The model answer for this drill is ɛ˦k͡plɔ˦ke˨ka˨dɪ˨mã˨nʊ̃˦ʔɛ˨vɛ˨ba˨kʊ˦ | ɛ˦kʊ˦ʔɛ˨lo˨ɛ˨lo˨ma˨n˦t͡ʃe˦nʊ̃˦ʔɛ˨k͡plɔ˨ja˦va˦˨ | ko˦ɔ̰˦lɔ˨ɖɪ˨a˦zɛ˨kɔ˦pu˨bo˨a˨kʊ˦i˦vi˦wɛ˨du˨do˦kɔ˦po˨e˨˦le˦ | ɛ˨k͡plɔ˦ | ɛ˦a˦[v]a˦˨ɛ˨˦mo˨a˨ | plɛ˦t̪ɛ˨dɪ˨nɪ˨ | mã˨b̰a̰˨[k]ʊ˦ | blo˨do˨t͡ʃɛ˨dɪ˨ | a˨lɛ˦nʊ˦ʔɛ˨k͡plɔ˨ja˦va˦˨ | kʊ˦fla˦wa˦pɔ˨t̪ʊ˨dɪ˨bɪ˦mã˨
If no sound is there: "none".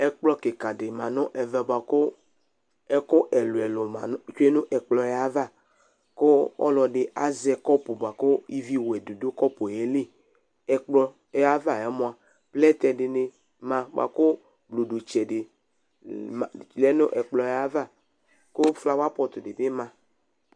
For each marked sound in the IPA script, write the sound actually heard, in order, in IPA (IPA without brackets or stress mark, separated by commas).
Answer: v, k